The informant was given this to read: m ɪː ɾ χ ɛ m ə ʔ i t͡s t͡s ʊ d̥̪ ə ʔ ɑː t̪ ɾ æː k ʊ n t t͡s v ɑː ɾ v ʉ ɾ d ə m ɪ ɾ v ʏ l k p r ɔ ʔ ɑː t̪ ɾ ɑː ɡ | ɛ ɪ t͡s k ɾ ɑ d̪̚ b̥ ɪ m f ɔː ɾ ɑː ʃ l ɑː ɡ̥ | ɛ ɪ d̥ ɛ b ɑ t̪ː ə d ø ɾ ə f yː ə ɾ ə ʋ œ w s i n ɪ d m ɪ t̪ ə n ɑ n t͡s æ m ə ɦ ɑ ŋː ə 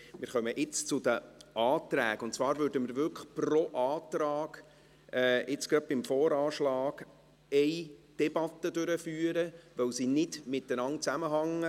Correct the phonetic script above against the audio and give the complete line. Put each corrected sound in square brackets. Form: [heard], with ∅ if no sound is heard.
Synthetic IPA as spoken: m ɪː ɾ χ [œ] m ə ʔ [ɪ] t͡s t͡s ʊ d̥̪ ə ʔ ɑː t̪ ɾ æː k ʊ n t t͡s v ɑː ɾ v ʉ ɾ d ə m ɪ ɾ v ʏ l k p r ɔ ʔ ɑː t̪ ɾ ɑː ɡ | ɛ ɪ t͡s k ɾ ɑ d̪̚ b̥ ɪ m f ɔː ɾ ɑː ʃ l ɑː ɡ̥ | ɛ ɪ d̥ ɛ b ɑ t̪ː ə d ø ɾ ə f yː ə ɾ ə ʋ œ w s i n ɪ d m ɪ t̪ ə n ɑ n t͡s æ m ə ɦ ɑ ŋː ə